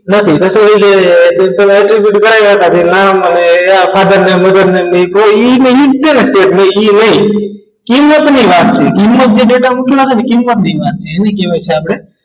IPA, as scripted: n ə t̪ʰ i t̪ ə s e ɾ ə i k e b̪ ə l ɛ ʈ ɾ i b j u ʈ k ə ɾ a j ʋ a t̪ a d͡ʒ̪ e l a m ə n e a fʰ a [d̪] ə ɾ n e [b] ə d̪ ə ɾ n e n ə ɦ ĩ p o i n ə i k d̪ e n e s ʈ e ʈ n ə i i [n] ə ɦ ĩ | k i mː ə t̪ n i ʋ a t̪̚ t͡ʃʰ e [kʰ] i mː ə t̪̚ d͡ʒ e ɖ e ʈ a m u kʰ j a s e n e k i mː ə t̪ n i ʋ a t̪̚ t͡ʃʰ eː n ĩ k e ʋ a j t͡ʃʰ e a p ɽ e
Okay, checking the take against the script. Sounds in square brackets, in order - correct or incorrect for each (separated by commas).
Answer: correct, incorrect, correct, incorrect